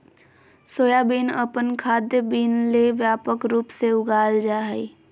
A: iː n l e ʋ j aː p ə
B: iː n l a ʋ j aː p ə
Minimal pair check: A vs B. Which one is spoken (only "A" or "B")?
A